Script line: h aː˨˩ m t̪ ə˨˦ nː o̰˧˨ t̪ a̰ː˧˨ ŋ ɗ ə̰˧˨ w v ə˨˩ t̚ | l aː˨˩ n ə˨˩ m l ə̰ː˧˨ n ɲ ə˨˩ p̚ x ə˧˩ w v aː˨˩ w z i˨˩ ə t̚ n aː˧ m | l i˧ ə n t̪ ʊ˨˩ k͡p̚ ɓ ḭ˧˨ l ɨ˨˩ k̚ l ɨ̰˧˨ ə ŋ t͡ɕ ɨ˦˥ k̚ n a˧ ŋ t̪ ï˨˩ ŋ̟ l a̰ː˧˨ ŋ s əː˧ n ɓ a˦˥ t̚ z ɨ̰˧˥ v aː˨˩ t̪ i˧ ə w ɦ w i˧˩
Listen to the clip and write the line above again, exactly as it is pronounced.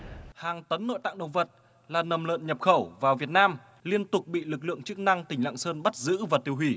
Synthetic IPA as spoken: h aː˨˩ ŋ t̪ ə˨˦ nː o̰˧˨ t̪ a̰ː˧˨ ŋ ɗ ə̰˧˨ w v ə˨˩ t̚ | l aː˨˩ n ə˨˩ m l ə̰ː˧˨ n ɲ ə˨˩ p̚ x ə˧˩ w v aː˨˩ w v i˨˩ ə t̚ n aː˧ m | l i˧ ə n t̪ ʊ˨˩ k͡p̚ ɓ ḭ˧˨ l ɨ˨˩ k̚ l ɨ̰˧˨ ə ŋ t͡ɕ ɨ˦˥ k̚ n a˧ ŋ t̪ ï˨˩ ŋ̟ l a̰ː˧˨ ŋ s əː˧ n ɓ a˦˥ t̚ z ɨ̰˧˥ v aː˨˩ t̪ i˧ ə w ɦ w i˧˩